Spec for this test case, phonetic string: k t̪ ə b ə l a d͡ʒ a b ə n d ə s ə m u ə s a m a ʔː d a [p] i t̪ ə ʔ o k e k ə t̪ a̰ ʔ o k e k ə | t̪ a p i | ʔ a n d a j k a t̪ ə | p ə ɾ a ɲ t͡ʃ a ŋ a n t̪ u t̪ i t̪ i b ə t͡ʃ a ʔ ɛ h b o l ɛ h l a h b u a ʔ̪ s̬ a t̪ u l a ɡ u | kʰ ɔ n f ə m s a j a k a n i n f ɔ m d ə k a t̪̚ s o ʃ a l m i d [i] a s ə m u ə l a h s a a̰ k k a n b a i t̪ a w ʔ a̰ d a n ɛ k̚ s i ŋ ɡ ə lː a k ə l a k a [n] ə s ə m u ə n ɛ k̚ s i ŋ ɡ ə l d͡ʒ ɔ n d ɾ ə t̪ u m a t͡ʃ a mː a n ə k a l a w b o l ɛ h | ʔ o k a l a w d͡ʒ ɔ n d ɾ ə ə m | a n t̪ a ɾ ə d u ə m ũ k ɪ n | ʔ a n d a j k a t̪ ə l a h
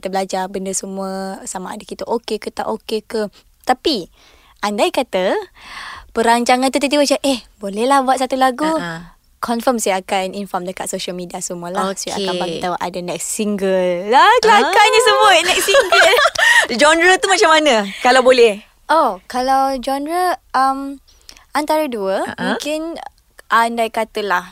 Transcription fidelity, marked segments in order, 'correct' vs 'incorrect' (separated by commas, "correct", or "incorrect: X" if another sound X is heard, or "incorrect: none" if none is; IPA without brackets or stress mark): incorrect: k, correct, incorrect: ɲ